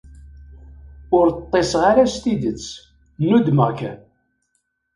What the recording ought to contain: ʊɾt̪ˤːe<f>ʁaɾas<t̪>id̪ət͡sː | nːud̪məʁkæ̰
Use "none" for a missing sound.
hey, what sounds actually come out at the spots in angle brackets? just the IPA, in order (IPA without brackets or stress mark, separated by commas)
s, t̪